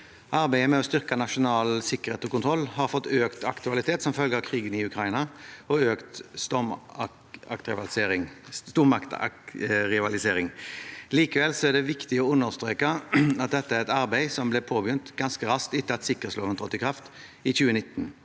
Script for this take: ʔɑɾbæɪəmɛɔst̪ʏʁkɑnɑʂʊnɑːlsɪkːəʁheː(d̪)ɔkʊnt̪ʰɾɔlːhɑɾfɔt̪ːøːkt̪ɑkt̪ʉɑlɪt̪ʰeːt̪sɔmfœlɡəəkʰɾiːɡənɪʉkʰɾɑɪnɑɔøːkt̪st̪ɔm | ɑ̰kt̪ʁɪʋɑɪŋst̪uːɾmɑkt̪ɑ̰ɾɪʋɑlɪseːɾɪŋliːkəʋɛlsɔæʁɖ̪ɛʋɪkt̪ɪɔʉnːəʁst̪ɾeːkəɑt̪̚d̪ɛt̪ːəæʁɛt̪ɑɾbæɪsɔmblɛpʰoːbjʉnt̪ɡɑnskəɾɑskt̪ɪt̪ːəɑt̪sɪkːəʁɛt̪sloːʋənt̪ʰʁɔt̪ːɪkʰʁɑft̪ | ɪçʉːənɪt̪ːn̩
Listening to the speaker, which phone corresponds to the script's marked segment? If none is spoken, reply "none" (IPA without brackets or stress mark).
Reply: t̪